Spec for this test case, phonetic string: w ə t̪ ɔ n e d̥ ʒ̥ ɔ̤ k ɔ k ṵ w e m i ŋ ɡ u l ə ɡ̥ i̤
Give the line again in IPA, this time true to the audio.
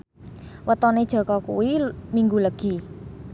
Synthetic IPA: w ə t̪ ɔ n e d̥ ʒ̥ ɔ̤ k ɔ k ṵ w i m i ŋ ɡ u l ə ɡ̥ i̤

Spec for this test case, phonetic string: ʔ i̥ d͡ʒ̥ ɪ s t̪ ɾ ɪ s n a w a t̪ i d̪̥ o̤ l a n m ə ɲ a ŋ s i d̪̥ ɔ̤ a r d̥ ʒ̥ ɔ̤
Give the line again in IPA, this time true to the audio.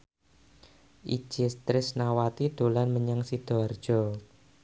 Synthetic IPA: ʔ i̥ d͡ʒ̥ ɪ s t̪ ɾ ɪ s n a w a t̪ i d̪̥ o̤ l a n m ə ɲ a ŋ s i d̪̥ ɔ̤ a r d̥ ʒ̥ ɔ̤

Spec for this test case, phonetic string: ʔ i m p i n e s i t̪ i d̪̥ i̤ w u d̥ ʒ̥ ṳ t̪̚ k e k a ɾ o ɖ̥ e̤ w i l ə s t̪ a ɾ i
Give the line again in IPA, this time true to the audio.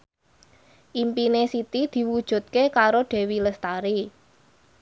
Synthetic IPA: ʔ i m p i n e s i t̪ i d̪̥ i̤ w u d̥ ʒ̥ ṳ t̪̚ k e k a ɾ o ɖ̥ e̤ w i l ə s t̪ a ɾ i

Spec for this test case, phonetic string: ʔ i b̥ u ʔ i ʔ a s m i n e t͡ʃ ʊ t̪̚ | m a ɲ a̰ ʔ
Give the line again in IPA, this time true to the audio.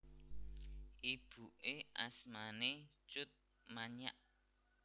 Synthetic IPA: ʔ i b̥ u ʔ e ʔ a s m a n e t͡ʃ ʊ t̪̚ | m a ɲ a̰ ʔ

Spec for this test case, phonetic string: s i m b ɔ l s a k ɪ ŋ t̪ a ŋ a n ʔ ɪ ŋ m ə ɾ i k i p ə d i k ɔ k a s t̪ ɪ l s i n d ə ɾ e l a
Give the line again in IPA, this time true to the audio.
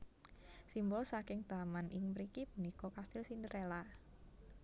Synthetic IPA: s i m b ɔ l s a k ɪ ŋ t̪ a m a n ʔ ɪ ŋ m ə ɾ i k i p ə n i k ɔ k a s t̪ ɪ l s i n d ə ɾ e l a

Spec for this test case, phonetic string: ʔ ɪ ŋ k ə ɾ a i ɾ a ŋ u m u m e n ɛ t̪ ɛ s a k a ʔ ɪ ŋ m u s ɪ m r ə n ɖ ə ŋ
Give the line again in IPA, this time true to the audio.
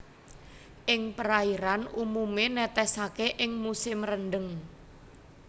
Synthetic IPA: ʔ ɪ ŋ p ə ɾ a i ɾ a n u m u m e n ɛ t̪ ɛ s a k e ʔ ɪ ŋ m u s ɪ m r ə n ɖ ə ŋ

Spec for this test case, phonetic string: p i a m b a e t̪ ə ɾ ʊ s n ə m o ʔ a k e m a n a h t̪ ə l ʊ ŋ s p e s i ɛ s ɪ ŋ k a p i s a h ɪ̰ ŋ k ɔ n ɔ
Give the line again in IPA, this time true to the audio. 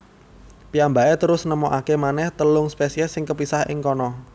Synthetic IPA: p i a m b a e t̪ ə ɾ ʊ s n ə m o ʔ a k e m a n ɛ h t̪ ə l ʊ ŋ s p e s i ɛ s ɪ ŋ k ə p i s a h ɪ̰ ŋ k ɔ n ɔ

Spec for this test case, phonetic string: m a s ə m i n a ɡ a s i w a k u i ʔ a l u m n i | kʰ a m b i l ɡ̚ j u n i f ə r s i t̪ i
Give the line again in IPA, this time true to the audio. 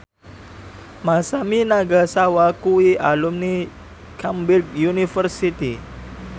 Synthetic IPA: m a s a m i n a ɡ a s a w a k u i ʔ a l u m n i | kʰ a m b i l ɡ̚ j u n i f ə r s i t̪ i

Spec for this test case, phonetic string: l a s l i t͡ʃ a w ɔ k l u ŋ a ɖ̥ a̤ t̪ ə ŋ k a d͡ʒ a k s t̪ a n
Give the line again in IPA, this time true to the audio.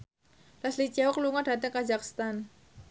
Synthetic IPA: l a s l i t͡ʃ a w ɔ k l u ŋ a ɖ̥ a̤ t̪ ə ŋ k a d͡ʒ a k s t̪ a n

